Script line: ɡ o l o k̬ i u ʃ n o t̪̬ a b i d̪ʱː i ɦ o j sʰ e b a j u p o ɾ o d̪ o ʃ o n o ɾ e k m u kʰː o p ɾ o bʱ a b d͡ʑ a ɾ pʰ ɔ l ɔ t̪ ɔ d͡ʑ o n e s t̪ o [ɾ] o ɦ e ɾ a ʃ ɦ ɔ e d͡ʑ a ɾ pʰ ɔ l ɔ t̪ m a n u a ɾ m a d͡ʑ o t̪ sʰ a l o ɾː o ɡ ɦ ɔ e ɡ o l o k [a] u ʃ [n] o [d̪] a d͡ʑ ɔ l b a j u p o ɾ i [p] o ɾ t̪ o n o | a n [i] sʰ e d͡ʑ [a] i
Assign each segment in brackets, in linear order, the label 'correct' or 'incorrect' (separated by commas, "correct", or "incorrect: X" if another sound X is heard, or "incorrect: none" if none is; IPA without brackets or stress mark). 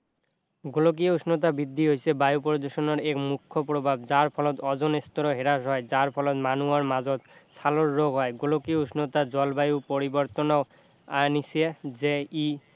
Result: correct, incorrect: i, correct, incorrect: t̪, incorrect: b, correct, incorrect: e